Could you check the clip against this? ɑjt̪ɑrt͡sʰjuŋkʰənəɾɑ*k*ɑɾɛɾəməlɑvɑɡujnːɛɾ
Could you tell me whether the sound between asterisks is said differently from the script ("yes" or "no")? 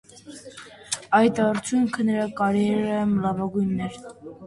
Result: no